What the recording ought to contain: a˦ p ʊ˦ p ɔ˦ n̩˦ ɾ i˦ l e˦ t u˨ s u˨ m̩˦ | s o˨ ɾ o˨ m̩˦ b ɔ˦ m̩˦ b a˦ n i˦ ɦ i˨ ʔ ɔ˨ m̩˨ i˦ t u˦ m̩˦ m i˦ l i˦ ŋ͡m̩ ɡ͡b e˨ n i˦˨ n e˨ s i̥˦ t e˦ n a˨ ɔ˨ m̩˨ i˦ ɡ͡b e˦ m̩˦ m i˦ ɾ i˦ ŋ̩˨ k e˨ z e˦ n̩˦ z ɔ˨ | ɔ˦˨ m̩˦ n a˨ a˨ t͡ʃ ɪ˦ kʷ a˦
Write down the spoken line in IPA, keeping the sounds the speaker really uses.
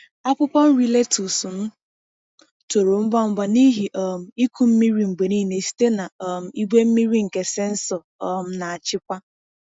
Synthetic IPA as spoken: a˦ p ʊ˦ p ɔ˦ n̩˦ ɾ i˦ l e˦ t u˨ s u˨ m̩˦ | t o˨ ɾ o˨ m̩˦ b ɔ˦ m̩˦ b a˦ n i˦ ɦ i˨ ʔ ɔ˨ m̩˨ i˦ k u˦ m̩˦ m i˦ ɾ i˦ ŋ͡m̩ ɡ͡b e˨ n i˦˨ n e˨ s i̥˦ t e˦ n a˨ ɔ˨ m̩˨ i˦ ɡ͡b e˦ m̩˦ m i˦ ɾ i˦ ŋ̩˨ k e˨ s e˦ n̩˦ s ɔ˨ | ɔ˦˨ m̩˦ n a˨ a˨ t͡ʃ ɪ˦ kʷ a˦